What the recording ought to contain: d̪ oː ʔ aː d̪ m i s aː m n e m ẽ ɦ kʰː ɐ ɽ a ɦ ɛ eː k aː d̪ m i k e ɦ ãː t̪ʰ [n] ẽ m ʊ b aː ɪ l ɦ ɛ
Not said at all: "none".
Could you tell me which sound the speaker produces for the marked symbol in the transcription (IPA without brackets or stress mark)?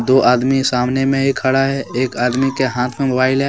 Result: m